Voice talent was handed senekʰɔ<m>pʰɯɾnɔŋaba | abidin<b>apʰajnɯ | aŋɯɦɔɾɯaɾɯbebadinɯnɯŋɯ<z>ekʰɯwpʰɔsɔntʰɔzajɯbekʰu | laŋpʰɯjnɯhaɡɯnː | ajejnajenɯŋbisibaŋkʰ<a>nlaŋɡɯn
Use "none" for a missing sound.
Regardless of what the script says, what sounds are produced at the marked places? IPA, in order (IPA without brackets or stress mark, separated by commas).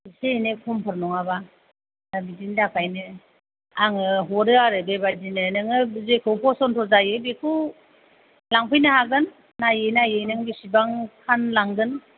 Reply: m, d, z, a